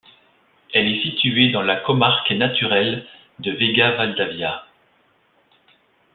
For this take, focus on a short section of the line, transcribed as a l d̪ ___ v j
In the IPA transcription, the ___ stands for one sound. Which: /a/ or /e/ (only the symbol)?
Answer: a